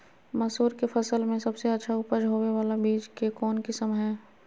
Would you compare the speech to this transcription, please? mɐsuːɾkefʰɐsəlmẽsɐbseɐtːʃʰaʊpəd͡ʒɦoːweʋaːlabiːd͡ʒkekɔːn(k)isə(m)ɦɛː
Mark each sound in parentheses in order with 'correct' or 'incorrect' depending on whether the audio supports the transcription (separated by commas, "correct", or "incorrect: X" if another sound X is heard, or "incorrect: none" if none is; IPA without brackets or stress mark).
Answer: correct, correct